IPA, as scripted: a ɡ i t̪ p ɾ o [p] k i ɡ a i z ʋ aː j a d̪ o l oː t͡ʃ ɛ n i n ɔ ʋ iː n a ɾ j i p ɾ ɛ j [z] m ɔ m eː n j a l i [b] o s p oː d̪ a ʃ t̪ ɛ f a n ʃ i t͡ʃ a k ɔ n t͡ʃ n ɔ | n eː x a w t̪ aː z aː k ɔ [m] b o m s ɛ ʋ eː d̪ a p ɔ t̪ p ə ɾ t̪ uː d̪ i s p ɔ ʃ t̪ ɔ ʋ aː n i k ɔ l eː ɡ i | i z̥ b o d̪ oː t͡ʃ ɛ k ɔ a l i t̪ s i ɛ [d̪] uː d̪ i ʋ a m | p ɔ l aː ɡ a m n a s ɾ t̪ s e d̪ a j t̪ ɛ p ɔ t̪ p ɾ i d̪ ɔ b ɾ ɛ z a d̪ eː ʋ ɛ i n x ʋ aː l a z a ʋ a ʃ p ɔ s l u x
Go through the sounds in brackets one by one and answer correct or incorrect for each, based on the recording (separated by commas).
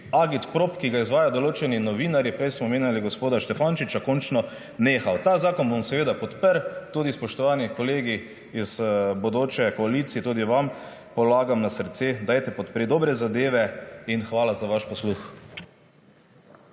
correct, incorrect, incorrect, incorrect, incorrect